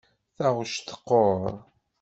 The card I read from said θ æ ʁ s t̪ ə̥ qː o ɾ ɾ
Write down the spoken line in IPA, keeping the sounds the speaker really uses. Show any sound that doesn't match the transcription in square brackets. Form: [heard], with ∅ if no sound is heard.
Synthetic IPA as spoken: θ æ ʁ [ʃ] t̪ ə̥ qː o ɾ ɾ